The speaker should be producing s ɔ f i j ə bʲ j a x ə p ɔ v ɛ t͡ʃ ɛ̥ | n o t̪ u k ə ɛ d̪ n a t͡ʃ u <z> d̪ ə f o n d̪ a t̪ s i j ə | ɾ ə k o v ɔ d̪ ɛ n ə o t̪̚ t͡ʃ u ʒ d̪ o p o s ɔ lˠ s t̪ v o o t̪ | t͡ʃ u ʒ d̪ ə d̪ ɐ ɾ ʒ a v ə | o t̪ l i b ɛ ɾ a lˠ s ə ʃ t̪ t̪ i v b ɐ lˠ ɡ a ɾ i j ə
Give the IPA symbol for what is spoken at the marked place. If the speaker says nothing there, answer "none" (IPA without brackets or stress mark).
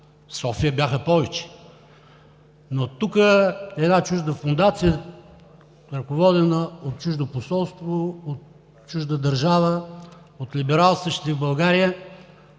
ʒ